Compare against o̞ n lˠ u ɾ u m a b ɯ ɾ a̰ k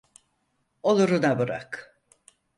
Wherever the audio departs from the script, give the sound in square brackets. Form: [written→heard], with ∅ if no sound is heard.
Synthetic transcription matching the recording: o̞ [n→∅] lˠ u ɾ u [m→n] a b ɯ ɾ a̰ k